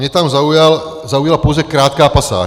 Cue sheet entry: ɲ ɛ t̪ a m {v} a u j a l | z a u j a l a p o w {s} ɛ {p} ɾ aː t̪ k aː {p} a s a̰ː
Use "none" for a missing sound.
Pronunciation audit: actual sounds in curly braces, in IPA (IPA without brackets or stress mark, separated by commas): z, z, k, p